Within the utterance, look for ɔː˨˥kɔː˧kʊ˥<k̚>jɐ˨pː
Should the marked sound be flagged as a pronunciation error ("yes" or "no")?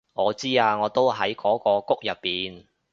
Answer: no